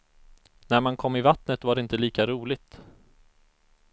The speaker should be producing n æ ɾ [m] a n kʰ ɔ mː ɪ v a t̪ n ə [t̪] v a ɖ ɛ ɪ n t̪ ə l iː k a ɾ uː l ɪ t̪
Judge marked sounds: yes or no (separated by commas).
yes, yes